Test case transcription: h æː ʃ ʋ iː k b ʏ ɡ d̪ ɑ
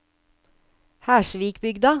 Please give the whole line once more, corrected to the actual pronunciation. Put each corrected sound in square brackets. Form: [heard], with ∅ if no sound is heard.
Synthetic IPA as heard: h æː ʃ ʋ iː k b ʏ ɡ d̪ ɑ